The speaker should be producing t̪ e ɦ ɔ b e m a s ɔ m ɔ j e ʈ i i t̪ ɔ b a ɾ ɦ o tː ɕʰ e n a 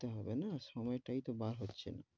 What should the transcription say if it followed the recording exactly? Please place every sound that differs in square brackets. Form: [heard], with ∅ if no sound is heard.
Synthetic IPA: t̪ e ɦ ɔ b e [n] a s ɔ m ɔ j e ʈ [a] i t̪ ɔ b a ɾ ɦ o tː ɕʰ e n a